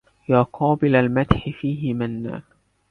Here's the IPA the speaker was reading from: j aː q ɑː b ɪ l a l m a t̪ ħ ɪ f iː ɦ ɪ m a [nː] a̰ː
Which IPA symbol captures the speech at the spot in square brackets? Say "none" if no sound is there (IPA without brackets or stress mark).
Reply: nː